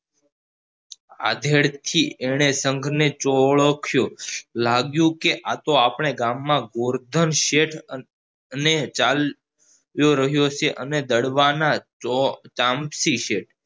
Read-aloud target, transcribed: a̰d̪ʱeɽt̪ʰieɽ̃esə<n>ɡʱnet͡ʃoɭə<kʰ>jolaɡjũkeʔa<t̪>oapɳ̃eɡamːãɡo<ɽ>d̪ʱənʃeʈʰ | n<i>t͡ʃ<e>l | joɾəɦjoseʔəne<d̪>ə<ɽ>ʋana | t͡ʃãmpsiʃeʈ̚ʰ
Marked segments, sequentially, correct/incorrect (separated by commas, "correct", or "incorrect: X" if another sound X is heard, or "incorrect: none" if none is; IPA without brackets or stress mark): incorrect: ŋ, correct, correct, incorrect: ɾ, incorrect: e, incorrect: a, correct, correct